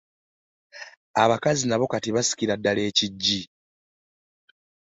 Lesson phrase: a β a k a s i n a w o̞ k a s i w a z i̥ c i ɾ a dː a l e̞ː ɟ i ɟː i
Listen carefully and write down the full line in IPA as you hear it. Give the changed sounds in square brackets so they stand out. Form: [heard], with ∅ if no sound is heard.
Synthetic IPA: a β a k a [z] i n a [β] o̞ k a [t] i [β] a [s] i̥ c i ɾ a dː a l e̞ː [c] i ɟː i